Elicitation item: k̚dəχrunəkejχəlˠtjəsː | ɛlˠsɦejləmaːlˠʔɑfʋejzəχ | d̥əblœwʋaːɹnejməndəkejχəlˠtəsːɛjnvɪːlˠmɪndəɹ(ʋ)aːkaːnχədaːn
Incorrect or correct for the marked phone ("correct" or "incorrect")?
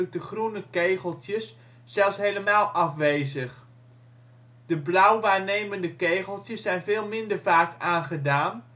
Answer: incorrect